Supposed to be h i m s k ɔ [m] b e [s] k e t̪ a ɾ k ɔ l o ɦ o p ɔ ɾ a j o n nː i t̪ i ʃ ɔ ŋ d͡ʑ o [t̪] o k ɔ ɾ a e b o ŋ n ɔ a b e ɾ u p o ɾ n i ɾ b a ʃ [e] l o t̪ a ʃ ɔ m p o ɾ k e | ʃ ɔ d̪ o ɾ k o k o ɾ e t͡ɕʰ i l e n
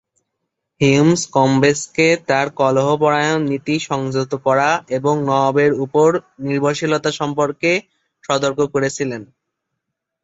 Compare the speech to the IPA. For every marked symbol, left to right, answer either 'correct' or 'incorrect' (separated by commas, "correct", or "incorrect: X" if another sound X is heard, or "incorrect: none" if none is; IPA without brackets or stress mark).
correct, correct, correct, incorrect: i